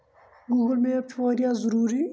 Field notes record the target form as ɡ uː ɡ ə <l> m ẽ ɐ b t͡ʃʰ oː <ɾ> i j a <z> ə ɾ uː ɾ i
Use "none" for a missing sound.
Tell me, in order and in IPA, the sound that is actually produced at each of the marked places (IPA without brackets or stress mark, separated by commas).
l, ɾ, z